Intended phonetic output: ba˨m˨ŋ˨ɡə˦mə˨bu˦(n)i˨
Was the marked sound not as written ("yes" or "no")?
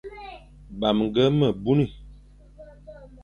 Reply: no